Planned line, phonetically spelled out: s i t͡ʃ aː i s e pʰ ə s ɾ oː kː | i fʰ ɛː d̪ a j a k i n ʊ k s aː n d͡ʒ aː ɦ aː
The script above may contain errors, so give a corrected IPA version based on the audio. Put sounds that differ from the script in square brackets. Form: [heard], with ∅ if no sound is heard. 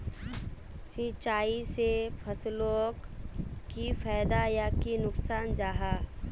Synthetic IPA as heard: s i t͡ʃ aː i s e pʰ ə s [l] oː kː | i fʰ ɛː d̪ a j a k i n ʊ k s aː n d͡ʒ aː ɦ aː